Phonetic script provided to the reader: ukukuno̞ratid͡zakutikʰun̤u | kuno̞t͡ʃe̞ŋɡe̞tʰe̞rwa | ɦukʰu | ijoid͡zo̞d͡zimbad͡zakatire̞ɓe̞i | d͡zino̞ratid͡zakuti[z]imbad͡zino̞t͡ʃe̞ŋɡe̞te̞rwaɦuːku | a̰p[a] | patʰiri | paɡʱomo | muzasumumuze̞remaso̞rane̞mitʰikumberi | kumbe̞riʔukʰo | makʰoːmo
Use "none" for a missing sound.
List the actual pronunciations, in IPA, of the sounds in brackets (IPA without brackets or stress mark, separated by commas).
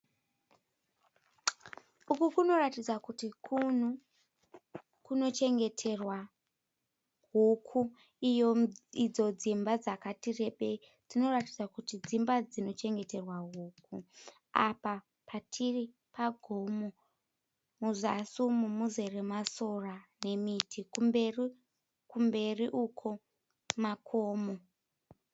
d͡z, a